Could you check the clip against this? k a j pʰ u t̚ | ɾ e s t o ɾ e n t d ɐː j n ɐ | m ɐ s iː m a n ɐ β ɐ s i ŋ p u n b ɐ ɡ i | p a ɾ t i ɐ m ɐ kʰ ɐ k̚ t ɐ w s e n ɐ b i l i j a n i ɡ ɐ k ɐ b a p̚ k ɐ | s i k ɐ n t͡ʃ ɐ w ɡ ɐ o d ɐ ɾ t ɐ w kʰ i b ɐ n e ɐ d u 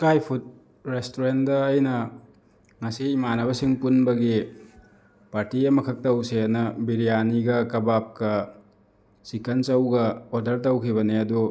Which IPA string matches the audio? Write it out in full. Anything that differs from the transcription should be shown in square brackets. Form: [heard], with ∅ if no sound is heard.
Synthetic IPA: k a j pʰ u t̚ | ɾ e s t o ɾ e n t d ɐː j n ɐ | [ŋ] ɐ s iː m a n ɐ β ɐ s i ŋ p u n b ɐ ɡ i | p a ɾ t i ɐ m ɐ kʰ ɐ k̚ t ɐ w s e n ɐ b i [ɾ] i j a n i ɡ ɐ k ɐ b a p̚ k ɐ | s i k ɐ n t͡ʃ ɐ w ɡ ɐ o d ɐ ɾ t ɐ w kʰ i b ɐ n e ɐ d u